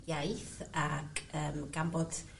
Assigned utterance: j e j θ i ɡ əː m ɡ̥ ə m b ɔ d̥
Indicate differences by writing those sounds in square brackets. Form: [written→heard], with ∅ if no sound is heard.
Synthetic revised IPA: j [e→a] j θ [i→a] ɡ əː m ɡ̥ [ə→a] m b ɔ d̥